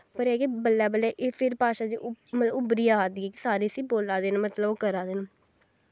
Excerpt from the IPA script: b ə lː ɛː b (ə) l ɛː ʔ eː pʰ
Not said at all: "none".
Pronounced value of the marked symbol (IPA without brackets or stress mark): ə